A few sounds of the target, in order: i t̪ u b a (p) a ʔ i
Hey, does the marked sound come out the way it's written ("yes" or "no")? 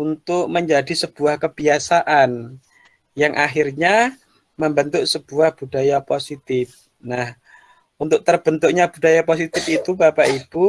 yes